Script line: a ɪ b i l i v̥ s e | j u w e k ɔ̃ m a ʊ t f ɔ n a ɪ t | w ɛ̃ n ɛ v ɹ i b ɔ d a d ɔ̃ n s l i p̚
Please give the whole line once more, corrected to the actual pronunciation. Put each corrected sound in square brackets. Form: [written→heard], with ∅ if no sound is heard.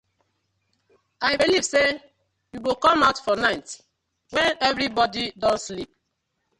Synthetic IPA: a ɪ b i l i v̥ s e | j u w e k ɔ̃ m a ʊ t f ɔ n a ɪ t | w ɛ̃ n ɛ v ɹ i b ɔ d [a→i] d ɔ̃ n s l i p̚

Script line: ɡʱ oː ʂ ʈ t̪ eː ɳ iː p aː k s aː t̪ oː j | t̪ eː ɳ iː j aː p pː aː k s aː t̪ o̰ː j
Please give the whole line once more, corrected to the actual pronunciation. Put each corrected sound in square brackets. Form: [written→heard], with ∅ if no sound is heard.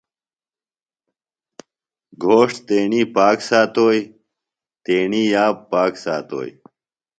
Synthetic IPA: ɡʱ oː ʂ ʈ t̪ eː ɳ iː p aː k s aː t̪ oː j | t̪ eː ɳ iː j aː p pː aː k s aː t̪ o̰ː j

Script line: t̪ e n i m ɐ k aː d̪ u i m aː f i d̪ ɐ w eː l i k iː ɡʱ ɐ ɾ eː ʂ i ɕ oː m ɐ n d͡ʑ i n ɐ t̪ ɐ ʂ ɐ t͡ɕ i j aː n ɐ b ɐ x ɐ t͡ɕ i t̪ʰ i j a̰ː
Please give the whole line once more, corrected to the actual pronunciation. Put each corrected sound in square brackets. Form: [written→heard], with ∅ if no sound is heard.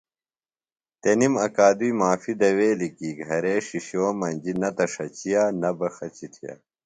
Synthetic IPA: t̪ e n i m ɐ k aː d̪ u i m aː f i d̪ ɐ w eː l i k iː ɡʱ ɐ ɾ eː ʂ i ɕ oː m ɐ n d͡ʑ i n ɐ t̪ ɐ ʂ ɐ t͡ɕ i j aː n ɐ b ɐ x ɐ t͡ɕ i t̪ʰ i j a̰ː

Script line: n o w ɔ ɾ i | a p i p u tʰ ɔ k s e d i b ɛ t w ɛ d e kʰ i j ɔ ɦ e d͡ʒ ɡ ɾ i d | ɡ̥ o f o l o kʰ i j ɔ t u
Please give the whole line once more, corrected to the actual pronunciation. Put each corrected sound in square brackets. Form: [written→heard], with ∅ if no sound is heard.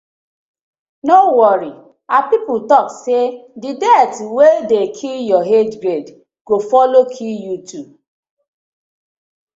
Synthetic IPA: n o w ɔ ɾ i | a p i p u [tʰ→t] ɔ k s e d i [b→d] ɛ t w [ɛ→e] d e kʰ i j ɔ ɦ e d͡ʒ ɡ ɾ [i→e] d | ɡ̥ o f [o→ɔ] l o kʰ i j [ɔ→u] t u

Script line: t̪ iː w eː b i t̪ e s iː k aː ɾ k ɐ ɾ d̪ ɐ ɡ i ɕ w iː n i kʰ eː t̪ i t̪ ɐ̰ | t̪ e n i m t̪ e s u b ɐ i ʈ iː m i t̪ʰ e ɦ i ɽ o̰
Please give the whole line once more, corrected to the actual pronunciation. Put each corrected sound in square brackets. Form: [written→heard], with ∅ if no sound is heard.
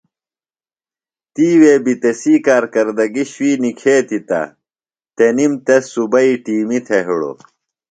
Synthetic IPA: t̪ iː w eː b i t̪ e s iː k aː ɾ k ɐ ɾ d̪ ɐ ɡ i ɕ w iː n i kʰ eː t̪ i t̪ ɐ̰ | t̪ e n i m t̪ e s u b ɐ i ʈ iː m i t̪ʰ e ɦ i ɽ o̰

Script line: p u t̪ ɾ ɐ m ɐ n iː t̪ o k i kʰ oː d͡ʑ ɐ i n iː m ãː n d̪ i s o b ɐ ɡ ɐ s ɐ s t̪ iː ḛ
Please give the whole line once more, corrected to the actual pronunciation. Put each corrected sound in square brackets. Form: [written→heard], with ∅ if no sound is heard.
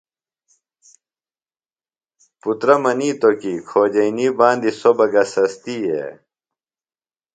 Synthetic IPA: p u t̪ ɾ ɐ m ɐ n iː t̪ o k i kʰ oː d͡ʑ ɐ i n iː [m→b] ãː n d̪ i s o b ɐ ɡ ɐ s ɐ s t̪ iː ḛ

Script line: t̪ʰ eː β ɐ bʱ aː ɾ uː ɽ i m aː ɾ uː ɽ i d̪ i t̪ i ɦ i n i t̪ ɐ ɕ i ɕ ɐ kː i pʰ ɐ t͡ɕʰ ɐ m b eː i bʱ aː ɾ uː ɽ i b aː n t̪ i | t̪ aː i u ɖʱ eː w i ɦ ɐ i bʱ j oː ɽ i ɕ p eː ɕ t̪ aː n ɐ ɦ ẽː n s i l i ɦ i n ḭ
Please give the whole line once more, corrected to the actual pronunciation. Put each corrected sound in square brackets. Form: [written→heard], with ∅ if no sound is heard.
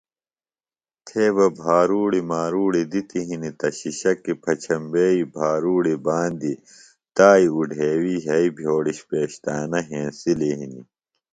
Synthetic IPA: t̪ʰ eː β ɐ bʱ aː ɾ uː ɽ i m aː ɾ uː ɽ i d̪ i t̪ i ɦ i n i t̪ ɐ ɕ i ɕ ɐ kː i pʰ ɐ t͡ɕʰ ɐ m b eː i bʱ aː ɾ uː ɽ i b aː n [t̪→d̪] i | t̪ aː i u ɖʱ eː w i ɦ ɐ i bʱ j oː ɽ i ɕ p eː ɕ t̪ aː n ɐ ɦ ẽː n s i l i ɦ i n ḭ

